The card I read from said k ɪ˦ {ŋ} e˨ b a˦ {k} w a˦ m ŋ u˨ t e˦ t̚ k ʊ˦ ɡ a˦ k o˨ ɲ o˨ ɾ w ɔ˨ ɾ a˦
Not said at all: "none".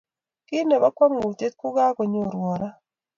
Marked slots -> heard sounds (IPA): n, k

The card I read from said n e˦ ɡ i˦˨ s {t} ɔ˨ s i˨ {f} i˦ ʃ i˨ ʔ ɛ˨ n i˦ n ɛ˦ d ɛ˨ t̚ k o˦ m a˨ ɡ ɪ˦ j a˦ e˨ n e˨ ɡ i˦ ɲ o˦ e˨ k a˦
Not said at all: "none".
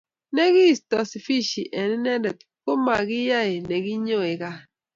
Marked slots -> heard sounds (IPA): t, f

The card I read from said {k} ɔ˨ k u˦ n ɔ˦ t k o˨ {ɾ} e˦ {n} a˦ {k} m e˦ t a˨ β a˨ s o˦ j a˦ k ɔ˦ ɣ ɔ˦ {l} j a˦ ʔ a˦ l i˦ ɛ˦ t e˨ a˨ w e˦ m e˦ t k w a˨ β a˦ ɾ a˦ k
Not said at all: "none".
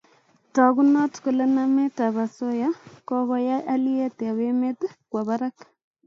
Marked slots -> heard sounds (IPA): t, l, n, none, none

